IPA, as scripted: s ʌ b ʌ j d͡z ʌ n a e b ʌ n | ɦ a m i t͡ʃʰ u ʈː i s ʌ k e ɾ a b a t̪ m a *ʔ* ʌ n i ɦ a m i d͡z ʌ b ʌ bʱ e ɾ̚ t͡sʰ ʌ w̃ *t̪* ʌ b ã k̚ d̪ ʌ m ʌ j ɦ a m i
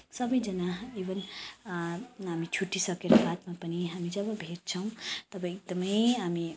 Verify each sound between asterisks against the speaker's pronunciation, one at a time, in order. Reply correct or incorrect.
incorrect, correct

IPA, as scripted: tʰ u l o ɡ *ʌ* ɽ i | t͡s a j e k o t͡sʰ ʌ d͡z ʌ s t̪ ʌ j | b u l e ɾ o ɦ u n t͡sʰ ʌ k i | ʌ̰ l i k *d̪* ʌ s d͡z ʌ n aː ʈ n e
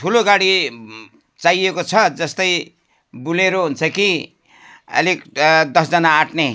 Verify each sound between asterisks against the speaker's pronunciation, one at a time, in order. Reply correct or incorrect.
incorrect, correct

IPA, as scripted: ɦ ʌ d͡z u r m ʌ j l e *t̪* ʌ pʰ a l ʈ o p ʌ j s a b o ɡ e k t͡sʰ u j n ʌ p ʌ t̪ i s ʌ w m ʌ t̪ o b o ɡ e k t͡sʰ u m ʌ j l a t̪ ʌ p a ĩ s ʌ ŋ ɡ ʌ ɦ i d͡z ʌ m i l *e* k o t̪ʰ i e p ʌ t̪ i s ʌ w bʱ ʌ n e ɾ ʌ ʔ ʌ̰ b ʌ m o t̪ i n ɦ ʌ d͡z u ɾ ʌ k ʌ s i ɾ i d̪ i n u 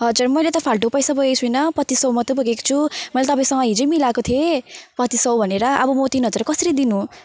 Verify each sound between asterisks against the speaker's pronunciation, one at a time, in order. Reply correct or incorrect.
correct, incorrect

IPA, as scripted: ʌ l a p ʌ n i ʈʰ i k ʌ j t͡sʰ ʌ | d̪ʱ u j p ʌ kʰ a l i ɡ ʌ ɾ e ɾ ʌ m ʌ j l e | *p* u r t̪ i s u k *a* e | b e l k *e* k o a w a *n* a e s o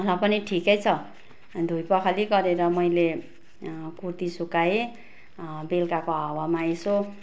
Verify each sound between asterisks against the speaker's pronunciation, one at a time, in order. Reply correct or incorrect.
incorrect, correct, incorrect, incorrect

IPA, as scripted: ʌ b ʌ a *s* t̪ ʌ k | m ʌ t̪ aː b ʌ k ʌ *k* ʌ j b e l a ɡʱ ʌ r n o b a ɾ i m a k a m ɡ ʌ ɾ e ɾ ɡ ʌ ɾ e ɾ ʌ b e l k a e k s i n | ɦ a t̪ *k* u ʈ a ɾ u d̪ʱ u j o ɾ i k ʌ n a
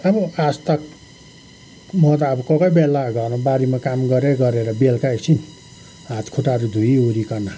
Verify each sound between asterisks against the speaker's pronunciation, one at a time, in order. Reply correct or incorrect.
correct, correct, incorrect

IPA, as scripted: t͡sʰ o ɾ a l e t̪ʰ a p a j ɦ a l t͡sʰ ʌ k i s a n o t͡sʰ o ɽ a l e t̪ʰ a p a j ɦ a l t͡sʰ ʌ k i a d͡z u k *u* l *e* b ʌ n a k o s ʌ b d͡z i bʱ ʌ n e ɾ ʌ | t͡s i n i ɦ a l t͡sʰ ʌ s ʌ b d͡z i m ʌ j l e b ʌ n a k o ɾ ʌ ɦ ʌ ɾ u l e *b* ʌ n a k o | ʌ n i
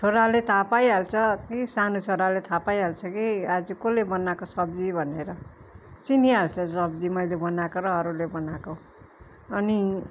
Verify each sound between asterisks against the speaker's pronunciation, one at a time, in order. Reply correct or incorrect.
incorrect, correct, correct

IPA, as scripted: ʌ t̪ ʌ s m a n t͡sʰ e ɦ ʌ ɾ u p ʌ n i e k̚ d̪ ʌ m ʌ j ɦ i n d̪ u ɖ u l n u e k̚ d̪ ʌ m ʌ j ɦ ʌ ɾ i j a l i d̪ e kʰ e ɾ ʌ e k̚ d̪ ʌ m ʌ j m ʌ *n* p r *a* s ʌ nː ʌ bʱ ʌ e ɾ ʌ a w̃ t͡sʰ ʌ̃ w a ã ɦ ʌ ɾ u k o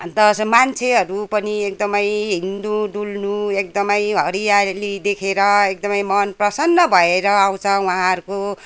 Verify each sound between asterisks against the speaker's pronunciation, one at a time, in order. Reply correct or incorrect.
correct, incorrect

